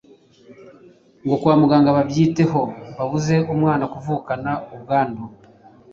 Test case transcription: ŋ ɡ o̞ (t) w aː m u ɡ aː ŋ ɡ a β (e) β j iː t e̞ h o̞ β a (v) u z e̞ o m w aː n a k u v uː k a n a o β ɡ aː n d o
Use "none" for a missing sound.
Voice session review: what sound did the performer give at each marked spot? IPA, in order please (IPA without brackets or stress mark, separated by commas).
k, a, β